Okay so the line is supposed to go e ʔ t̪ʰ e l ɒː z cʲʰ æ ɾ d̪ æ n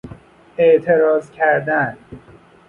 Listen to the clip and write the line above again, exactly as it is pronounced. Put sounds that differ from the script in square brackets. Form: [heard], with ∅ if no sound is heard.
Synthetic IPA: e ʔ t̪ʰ e [ɾ] ɒː z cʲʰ æ ɾ d̪ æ n